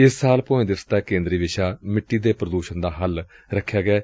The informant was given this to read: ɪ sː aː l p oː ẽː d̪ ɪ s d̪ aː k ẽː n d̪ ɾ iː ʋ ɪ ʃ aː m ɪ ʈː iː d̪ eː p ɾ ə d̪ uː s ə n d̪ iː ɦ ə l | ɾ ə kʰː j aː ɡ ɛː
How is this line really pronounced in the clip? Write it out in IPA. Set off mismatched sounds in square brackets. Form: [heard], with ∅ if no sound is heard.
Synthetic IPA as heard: ɪ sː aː l p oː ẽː d̪ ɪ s [t̪] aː k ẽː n d̪ ɾ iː ʋ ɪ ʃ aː m ɪ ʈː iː d̪ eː p ɾ ə d̪ uː [ʃ] ə n d̪ [aː] ɦ ə l | ɾ ə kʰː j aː ɡ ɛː